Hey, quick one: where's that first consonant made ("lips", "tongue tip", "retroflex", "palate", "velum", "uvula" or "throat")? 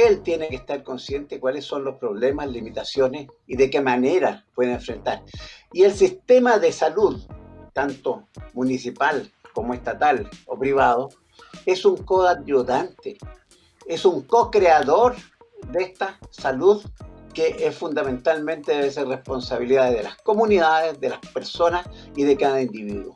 tongue tip